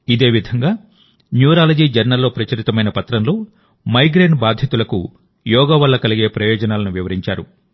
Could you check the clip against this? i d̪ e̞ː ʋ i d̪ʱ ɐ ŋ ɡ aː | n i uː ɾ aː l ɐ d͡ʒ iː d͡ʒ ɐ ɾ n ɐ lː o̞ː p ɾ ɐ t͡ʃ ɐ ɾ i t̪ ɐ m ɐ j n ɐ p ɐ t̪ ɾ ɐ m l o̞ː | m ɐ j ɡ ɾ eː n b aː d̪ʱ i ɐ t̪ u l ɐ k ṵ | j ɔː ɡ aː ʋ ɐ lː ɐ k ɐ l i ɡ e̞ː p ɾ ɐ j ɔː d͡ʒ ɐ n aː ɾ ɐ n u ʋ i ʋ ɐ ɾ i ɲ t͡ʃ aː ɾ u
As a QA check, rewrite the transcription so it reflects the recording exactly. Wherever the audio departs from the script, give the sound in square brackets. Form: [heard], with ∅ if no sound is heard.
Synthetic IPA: i d̪ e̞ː ʋ i d̪ʱ ɐ ŋ ɡ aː | n [j] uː ɾ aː l ɐ d͡ʒ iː d͡ʒ ɐ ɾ n ɐ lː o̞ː p ɾ ɐ t͡ʃ ɐ ɾ i t̪ ɐ m ɐ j n ɐ p ɐ t̪ ɾ ɐ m l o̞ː | m ɐ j ɡ ɾ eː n b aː d̪ʱ [j] ɐ t̪ u l ɐ k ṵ | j ɔː ɡ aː ʋ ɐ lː ɐ k ɐ l i ɡ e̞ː p ɾ ɐ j ɔː d͡ʒ ɐ n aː [l] ɐ n u ʋ i ʋ ɐ ɾ i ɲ t͡ʃ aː ɾ u